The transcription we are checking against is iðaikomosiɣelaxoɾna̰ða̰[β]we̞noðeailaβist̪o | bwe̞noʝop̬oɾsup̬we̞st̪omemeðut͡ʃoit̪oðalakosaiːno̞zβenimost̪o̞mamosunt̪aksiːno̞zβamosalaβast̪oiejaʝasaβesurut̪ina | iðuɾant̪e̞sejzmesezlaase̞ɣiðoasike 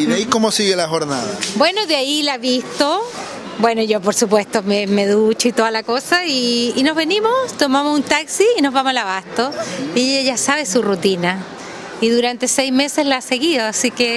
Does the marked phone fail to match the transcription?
yes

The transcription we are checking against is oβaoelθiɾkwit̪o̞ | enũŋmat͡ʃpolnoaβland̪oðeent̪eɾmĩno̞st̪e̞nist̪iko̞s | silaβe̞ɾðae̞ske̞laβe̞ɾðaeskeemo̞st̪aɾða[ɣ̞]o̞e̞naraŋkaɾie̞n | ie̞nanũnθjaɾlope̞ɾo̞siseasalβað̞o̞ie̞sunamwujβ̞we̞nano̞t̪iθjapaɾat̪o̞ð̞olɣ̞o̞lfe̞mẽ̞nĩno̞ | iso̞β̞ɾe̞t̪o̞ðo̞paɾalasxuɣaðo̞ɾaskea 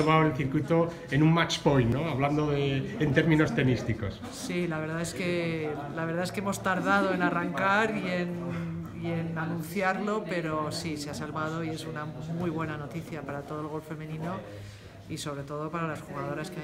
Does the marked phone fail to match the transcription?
yes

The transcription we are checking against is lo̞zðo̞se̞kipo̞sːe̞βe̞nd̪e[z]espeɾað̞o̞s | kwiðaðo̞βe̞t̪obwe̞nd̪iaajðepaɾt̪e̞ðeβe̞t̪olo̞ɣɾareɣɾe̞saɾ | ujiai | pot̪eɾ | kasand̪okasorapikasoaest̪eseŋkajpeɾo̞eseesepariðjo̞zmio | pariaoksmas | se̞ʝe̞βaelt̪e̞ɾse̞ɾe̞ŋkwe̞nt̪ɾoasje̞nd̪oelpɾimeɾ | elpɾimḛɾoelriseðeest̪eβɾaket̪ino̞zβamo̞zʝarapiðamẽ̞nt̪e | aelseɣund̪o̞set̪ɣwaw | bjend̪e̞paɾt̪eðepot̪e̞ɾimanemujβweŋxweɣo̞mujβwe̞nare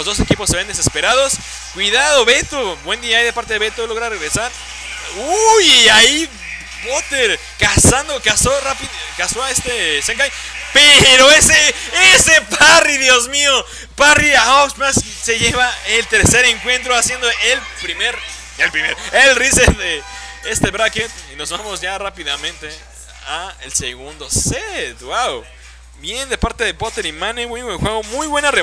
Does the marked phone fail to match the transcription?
yes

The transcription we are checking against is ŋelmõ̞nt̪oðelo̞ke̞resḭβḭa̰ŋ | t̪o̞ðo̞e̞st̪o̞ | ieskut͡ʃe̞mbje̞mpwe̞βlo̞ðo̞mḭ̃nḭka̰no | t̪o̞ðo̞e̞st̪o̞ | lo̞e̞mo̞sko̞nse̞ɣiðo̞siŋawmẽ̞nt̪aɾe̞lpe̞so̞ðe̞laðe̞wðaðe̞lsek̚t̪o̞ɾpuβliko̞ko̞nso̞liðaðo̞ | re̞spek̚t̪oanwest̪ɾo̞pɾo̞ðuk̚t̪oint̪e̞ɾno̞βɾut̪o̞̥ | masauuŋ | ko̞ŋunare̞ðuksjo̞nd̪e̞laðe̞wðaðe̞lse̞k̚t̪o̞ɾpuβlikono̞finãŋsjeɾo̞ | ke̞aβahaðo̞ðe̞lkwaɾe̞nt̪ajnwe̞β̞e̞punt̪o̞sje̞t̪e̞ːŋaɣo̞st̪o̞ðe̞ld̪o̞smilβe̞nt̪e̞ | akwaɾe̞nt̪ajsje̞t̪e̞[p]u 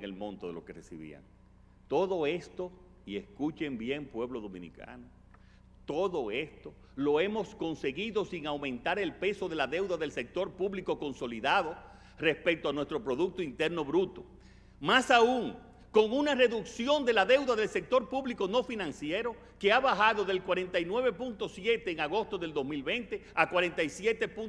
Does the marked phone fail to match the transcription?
no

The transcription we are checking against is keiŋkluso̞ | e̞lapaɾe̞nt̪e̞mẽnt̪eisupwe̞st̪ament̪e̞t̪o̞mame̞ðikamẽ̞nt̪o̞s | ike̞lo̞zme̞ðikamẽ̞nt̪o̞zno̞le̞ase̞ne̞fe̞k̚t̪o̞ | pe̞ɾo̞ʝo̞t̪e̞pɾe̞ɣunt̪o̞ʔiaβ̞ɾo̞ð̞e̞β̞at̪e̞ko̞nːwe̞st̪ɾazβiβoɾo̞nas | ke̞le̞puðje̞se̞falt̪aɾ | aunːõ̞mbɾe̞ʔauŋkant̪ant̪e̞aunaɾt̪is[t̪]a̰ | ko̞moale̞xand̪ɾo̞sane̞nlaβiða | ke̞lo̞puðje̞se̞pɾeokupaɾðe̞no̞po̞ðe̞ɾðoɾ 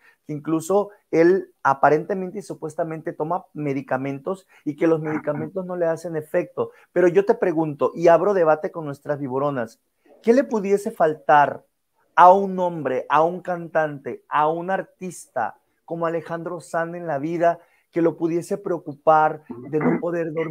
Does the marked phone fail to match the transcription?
no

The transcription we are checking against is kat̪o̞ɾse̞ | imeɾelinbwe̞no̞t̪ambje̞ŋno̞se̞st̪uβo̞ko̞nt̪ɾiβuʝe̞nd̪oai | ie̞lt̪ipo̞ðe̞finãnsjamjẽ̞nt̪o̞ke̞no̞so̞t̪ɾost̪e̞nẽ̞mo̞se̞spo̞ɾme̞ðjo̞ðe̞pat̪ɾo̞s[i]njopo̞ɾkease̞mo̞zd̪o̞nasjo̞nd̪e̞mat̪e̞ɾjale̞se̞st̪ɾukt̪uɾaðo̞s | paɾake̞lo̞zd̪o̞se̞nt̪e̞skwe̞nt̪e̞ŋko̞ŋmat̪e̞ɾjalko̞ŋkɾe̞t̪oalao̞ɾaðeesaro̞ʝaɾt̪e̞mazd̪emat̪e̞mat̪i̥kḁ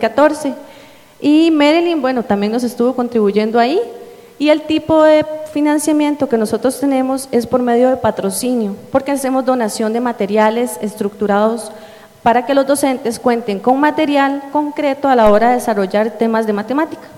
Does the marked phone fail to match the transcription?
no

